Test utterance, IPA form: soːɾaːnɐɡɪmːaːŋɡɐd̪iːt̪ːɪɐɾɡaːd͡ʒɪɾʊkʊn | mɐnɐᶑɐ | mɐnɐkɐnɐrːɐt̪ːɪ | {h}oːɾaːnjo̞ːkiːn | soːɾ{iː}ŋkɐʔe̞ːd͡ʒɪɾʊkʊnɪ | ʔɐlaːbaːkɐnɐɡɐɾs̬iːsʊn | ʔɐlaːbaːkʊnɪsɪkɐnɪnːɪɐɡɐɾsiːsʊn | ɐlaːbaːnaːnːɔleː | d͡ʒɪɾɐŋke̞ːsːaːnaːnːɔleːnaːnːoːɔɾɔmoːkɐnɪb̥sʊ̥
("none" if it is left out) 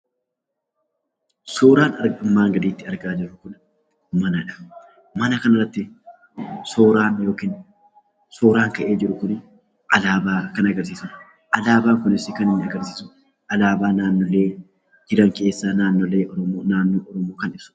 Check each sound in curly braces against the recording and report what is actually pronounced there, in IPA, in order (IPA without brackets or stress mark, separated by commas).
s, aː